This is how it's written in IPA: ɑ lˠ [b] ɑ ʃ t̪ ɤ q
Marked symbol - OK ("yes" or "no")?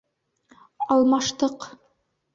no